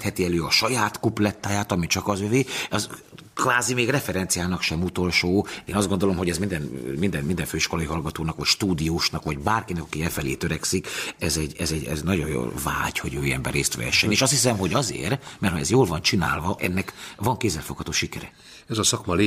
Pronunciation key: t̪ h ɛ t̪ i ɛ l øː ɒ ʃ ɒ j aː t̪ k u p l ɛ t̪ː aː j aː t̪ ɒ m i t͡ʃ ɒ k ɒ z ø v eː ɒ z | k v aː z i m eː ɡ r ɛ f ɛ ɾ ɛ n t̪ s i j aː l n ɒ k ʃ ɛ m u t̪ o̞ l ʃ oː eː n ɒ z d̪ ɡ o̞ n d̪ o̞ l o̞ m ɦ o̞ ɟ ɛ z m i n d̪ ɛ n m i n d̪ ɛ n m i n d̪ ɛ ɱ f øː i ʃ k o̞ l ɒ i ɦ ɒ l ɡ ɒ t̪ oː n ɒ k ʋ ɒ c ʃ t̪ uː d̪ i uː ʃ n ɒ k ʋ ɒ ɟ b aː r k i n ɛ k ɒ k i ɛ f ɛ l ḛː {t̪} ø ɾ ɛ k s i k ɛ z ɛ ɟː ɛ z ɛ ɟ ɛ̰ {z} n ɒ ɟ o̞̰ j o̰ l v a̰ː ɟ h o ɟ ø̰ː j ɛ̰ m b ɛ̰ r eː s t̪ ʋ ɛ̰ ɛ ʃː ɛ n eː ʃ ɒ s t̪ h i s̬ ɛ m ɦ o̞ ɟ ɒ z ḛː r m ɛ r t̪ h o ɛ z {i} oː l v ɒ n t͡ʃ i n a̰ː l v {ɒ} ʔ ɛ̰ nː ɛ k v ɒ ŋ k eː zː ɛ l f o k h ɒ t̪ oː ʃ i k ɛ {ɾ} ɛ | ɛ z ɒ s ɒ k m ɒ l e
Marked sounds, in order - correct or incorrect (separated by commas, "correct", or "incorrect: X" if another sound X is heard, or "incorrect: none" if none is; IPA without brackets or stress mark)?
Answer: correct, correct, incorrect: j, correct, correct